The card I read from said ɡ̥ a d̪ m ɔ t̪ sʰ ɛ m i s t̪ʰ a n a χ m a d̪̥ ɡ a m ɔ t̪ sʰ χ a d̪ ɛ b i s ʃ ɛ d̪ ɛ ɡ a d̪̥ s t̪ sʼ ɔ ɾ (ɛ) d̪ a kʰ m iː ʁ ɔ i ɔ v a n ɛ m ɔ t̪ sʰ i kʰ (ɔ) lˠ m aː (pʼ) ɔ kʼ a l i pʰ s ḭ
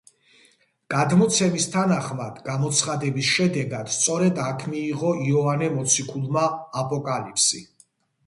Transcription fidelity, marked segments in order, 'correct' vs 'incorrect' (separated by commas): correct, incorrect, correct